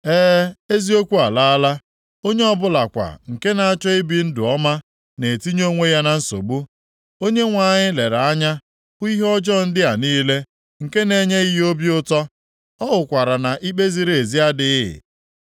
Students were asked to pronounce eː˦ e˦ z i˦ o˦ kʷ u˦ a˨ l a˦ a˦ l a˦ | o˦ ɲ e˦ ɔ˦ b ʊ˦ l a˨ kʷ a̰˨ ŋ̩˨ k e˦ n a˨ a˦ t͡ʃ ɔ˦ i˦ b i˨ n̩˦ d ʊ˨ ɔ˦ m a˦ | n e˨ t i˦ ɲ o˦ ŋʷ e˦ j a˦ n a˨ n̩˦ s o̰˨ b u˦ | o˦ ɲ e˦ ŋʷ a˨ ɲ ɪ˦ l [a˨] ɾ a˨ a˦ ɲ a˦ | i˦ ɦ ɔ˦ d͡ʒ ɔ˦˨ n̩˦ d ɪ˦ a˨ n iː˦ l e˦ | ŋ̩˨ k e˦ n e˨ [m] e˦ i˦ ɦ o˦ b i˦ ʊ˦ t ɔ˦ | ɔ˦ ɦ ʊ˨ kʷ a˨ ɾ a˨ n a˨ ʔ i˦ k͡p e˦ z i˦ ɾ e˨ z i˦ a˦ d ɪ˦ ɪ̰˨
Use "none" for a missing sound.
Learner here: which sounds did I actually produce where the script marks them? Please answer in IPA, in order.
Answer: e˨, ɲ

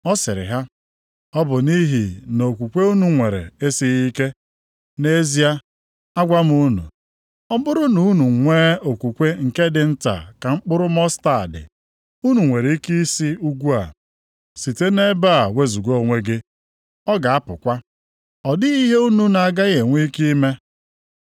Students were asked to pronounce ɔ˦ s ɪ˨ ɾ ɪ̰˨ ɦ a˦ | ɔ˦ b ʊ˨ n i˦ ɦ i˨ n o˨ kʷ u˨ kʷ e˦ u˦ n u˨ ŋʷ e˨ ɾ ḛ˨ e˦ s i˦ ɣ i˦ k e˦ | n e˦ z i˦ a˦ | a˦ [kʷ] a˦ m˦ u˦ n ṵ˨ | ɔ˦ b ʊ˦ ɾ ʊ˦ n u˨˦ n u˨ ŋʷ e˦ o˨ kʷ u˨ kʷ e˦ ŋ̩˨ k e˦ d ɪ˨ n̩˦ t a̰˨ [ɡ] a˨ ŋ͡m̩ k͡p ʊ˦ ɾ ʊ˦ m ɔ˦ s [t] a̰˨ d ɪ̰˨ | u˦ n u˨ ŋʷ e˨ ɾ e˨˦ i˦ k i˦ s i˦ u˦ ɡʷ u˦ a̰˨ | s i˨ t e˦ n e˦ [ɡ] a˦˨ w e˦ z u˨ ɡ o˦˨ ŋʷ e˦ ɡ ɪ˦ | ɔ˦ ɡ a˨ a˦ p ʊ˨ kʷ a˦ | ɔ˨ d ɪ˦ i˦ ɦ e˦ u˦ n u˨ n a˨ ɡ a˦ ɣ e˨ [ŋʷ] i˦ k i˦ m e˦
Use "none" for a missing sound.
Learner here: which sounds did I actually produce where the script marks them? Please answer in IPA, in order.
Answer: ɡʷ, k, t, b, ŋʷ

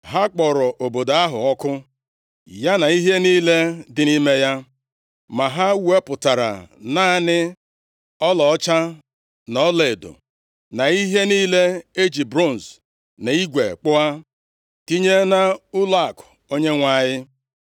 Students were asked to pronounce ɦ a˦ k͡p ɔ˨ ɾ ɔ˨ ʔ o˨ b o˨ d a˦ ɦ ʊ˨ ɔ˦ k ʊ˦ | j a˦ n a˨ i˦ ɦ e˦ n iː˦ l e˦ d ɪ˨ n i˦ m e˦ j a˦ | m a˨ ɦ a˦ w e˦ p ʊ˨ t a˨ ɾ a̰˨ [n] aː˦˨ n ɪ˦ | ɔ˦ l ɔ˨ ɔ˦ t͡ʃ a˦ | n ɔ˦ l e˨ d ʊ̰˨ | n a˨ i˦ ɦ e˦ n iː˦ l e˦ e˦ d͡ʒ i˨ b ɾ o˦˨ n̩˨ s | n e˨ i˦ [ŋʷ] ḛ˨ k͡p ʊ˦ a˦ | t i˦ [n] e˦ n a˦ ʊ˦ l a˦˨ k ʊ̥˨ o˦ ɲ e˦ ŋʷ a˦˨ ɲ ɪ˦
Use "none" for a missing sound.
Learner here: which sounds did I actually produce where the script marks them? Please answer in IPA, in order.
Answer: n, ɡʷ, ɲ

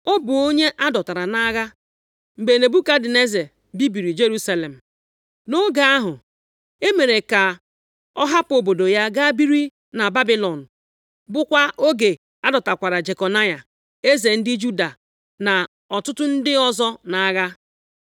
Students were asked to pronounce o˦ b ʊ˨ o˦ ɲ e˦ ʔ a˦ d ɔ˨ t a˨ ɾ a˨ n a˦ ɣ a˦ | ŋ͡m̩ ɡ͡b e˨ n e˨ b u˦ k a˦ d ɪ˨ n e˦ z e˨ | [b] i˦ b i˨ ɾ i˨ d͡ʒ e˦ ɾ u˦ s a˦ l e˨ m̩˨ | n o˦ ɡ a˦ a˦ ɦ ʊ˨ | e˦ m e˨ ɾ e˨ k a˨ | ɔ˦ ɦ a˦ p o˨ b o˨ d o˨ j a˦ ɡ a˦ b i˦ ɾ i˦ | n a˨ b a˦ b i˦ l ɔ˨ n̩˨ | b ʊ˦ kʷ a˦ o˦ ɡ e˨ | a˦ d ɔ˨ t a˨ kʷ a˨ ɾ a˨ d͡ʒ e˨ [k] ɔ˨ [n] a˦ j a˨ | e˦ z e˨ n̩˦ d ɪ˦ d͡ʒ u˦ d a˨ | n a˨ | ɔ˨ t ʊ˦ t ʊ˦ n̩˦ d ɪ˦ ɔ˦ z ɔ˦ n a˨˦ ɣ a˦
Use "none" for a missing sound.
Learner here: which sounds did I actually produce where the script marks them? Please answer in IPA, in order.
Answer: b, k, n

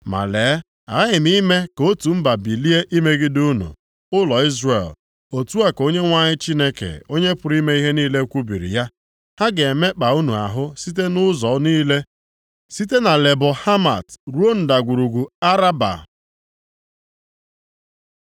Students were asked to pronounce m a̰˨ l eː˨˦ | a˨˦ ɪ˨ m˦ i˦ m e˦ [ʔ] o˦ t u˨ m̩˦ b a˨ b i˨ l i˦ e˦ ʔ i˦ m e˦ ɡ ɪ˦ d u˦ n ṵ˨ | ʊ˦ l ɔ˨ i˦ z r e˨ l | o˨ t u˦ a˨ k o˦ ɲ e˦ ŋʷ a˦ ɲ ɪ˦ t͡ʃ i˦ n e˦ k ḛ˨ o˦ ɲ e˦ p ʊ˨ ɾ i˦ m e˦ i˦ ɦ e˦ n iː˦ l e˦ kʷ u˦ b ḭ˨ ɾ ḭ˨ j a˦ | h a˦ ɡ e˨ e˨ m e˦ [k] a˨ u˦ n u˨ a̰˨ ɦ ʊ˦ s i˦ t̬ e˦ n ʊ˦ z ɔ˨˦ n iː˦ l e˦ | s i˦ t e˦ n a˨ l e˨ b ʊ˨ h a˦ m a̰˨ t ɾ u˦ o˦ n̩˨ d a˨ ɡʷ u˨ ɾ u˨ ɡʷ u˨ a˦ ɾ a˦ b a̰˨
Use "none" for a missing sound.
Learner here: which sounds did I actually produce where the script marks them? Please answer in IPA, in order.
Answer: k, k͡p

